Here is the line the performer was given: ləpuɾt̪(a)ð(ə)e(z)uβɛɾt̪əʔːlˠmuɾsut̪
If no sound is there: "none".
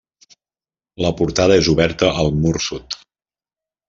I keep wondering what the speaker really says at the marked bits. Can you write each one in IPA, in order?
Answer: a, ə, z

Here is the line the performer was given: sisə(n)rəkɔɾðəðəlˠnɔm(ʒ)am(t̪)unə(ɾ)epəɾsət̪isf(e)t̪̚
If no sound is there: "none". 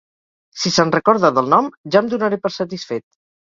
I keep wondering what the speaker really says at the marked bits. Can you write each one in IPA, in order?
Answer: n, ʒ, d̪, ɾ, e

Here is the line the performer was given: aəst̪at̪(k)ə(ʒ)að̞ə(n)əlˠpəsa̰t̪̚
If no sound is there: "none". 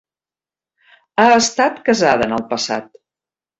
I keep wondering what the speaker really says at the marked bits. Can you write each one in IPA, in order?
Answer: k, z, n

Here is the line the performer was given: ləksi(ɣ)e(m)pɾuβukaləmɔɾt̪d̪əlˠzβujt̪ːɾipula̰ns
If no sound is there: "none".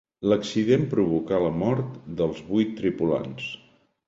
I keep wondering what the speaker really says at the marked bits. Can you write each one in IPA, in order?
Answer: ð, m

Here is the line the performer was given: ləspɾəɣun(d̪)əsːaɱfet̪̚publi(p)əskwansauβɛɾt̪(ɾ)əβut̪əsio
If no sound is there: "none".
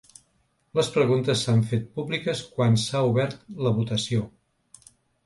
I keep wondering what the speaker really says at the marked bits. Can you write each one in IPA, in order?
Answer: t̪, k, l

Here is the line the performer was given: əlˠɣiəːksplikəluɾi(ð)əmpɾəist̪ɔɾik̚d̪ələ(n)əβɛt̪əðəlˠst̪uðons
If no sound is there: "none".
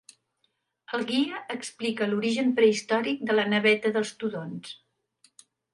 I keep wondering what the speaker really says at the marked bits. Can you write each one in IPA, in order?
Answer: ʒ, n

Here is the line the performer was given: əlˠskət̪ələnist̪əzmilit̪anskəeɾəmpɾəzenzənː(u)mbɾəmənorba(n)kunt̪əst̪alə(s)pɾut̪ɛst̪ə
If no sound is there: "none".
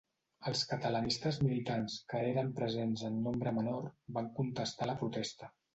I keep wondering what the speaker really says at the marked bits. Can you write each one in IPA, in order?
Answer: o, ŋ, none

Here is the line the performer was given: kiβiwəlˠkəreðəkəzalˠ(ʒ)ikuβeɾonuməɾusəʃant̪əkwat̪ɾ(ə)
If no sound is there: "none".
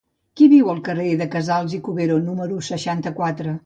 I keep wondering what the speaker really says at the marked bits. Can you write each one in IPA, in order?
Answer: z, ə

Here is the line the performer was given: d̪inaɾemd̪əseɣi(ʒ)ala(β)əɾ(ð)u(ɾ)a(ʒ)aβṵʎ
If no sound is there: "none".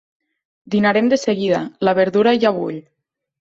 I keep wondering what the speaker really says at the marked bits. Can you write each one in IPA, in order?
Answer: ð, β, ð, ɾ, ʒ

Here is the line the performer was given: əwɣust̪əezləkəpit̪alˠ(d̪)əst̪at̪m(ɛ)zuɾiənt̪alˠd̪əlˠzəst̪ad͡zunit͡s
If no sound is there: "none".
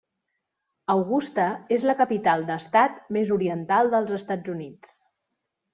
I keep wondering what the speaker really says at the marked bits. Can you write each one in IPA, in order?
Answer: d̪, e

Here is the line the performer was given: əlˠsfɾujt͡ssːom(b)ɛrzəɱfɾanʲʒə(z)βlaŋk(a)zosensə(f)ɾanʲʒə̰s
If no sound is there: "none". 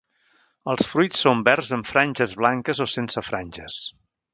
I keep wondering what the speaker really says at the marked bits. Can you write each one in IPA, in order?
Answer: b, z, ə, f

